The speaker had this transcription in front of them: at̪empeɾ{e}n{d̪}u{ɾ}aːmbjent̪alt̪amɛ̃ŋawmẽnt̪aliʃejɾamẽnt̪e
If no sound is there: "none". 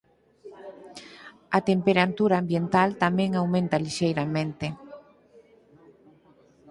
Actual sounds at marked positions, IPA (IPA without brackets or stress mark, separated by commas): a, t̪, ɾ